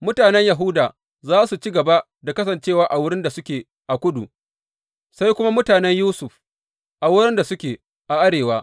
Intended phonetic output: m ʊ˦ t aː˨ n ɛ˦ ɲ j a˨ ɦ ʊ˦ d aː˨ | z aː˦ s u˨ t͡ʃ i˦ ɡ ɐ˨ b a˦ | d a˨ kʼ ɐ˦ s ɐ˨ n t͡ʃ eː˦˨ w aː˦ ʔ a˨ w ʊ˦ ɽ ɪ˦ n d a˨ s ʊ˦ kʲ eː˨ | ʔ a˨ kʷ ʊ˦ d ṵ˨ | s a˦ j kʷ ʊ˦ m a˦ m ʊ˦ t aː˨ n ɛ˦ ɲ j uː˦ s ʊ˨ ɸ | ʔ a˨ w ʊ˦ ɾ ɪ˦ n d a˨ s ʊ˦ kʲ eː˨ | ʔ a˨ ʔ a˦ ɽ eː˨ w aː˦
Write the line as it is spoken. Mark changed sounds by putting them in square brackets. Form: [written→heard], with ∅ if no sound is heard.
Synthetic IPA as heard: m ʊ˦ t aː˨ n ɛ˦ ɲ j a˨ ɦ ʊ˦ d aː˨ | z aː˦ s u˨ t͡ʃ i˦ ɡ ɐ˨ b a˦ | d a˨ [kʼ→k] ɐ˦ s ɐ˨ n t͡ʃ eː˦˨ w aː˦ ʔ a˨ w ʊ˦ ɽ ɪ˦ n d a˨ s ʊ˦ kʲ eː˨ | ʔ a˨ kʷ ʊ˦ d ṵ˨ | s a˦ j kʷ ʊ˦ m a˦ m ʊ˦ t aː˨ n ɛ˦ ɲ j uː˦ s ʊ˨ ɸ | ʔ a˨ w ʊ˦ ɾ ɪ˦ n d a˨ s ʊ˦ kʲ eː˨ | ʔ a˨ ʔ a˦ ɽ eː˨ w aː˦